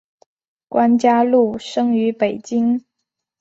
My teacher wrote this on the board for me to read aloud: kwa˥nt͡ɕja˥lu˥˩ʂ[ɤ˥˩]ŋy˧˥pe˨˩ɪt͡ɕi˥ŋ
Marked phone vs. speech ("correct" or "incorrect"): incorrect